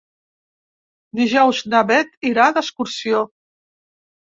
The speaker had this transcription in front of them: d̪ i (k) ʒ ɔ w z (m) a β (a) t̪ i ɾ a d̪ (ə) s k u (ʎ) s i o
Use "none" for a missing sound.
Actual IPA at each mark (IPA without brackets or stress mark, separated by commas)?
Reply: none, n, ɛ, ə, ɾ